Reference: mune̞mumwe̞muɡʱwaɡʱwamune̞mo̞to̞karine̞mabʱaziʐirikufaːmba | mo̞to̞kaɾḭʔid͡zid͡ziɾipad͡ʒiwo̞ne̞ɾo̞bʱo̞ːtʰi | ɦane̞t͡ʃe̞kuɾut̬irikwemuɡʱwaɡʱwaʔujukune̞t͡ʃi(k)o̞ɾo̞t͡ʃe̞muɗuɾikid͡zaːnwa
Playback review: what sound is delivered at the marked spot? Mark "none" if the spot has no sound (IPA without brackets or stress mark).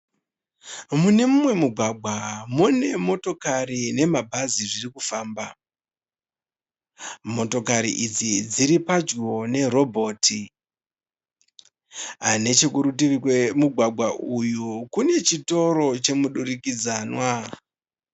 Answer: t